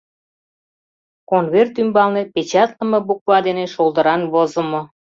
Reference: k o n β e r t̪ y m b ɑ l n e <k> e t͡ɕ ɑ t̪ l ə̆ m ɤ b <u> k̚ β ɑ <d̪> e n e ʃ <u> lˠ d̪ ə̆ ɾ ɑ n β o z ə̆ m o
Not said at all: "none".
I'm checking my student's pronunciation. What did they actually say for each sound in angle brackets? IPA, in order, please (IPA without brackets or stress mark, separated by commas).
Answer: p, u, d̪, o